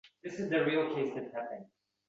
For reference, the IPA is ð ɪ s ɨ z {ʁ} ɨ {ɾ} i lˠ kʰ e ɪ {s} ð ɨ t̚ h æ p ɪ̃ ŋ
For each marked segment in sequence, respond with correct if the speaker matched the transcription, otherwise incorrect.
incorrect: ð, incorrect: ɹ, correct

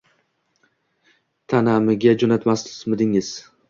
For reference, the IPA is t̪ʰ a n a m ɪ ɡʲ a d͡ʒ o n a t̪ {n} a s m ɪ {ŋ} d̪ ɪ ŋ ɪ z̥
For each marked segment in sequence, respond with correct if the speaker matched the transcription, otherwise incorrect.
incorrect: m, incorrect: none

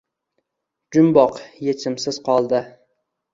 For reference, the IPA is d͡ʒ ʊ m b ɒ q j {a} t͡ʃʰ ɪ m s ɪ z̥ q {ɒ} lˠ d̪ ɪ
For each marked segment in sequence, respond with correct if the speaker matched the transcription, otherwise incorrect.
incorrect: e, correct

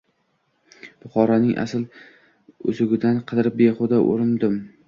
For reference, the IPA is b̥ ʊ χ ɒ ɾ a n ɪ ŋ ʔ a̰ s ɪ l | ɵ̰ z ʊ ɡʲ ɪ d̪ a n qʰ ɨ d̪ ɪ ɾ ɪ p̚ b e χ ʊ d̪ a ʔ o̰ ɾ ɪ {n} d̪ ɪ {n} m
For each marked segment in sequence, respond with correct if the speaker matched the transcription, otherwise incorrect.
correct, incorrect: none

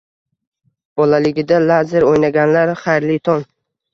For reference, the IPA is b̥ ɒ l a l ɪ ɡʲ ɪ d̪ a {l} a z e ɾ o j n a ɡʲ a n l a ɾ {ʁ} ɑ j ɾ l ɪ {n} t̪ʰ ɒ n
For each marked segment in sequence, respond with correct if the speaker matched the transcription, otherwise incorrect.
correct, incorrect: χ, incorrect: none

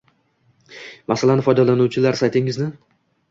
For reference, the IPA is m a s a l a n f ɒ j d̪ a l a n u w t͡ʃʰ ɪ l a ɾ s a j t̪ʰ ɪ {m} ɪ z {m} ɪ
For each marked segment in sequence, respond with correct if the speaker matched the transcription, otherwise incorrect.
incorrect: ŋ, incorrect: n

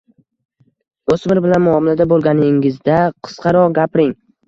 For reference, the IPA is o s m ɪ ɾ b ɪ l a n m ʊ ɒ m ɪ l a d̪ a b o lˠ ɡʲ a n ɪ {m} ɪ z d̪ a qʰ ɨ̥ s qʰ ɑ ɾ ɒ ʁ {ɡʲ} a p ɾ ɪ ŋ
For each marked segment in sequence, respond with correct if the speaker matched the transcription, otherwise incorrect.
incorrect: ŋ, correct

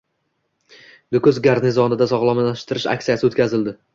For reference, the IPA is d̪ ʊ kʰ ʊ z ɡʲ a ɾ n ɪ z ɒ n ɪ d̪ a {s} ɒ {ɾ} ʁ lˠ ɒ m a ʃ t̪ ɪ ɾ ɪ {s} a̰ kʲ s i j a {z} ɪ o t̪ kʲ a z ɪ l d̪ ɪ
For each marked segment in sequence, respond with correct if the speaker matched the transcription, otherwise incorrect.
correct, incorrect: none, incorrect: ʃ, incorrect: s

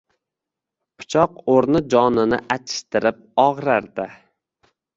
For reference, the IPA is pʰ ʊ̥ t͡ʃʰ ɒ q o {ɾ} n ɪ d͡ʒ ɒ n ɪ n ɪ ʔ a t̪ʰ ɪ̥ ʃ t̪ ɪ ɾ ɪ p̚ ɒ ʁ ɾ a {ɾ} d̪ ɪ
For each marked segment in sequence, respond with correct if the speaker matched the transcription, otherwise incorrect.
correct, correct

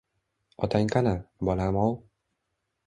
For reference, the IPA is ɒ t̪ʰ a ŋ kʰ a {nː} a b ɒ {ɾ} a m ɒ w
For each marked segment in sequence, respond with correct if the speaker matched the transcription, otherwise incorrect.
incorrect: n, incorrect: l

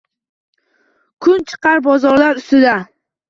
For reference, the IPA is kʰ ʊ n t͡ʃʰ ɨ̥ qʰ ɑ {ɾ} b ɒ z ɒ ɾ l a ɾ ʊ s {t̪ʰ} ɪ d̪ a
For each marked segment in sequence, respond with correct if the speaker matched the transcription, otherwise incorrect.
correct, incorrect: t̪

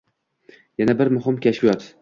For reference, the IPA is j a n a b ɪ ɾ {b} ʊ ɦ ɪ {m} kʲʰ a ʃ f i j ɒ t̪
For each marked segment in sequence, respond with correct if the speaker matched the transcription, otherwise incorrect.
incorrect: m, correct

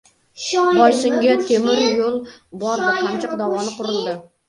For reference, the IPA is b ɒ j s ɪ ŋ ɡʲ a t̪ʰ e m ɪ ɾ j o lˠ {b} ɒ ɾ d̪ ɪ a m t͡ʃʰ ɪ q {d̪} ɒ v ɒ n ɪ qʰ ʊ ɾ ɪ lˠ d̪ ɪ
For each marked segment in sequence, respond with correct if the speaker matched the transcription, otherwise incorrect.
correct, correct

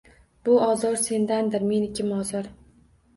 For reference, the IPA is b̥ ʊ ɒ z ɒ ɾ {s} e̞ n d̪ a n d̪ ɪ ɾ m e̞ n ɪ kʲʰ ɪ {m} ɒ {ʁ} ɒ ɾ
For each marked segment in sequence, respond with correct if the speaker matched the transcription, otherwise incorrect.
correct, correct, incorrect: z

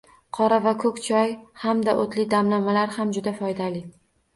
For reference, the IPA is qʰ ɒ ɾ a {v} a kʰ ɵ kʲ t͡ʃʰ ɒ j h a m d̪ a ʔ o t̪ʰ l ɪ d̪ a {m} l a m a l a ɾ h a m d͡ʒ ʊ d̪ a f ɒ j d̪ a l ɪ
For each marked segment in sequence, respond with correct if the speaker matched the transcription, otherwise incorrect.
correct, correct

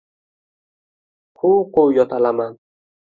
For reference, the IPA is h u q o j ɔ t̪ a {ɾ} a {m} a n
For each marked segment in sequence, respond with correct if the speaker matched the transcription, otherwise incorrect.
incorrect: l, correct

